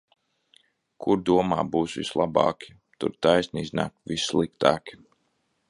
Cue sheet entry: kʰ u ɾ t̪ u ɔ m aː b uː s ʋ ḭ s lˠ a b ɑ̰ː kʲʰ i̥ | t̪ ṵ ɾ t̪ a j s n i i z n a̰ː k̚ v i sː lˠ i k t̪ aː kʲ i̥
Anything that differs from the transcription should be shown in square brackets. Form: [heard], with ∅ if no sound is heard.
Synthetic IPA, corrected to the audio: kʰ u ɾ [d̪] u ɔ m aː b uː s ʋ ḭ s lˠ a b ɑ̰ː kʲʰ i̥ | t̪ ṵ ɾ t̪ a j s n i i z n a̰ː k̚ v i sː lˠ i k t̪ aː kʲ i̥